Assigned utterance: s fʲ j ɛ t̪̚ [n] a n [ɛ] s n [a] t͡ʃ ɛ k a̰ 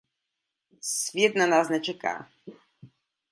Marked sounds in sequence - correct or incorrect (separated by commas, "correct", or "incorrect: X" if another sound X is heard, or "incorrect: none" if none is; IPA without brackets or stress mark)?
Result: correct, incorrect: a, incorrect: ɛ